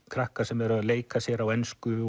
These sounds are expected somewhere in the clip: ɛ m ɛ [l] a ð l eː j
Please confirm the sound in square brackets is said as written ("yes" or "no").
no